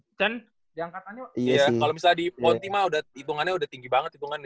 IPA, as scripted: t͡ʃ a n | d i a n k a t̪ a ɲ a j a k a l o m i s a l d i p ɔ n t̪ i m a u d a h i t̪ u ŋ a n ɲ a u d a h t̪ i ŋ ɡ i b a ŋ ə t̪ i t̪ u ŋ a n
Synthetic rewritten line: t͡ʃ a n | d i a ŋ k a t̪ a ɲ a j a k a l o m i s a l d i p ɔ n t̪ i m a u d a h i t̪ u ŋ a n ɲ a u d a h t̪ i ŋ ɡ i b a ŋ ə t̪ i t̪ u ŋ a n